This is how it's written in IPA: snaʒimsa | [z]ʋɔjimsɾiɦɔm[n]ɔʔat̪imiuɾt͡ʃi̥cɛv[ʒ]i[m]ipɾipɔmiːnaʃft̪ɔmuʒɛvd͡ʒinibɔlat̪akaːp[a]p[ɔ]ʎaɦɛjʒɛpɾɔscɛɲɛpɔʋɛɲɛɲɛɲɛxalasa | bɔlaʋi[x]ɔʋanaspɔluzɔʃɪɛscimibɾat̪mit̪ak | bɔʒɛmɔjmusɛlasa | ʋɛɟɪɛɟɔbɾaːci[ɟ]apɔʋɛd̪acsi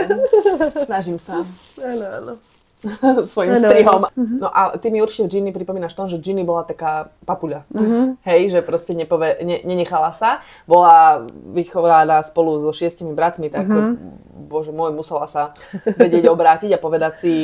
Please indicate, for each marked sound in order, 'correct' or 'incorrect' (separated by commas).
incorrect, correct, incorrect, incorrect, correct, incorrect, correct, correct